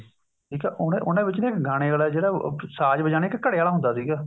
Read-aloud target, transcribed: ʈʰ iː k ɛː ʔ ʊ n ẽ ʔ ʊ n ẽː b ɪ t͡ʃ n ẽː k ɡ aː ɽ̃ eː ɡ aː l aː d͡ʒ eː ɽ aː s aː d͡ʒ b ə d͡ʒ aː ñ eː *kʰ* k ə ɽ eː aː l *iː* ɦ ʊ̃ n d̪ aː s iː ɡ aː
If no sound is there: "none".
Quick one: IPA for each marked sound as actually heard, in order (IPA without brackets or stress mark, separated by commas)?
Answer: k, aː